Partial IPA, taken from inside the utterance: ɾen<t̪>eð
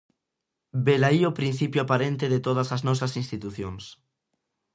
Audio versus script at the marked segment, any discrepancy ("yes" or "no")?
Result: no